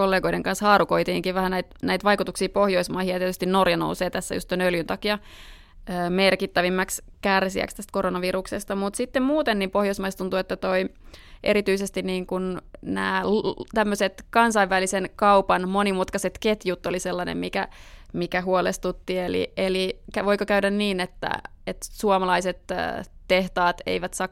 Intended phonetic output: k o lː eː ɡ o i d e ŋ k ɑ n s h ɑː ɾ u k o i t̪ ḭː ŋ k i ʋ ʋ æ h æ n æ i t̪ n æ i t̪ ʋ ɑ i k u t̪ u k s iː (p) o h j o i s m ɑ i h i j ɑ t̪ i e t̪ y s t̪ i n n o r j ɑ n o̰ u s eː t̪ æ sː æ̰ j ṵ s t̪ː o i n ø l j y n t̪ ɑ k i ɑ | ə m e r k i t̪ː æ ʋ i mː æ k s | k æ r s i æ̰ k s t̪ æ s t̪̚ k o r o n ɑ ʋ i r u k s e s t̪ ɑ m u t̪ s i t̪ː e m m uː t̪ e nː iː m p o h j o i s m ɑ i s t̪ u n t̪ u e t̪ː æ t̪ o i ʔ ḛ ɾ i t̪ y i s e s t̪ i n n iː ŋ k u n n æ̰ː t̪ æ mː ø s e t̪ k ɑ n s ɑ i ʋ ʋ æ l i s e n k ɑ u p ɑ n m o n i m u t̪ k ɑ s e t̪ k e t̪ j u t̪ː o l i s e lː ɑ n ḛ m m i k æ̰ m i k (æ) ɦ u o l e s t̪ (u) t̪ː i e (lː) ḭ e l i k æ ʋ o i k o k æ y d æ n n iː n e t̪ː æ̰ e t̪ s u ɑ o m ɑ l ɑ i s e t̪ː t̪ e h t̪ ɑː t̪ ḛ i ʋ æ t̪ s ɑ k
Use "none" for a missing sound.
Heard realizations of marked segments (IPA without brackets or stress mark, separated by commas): p, æ, u, l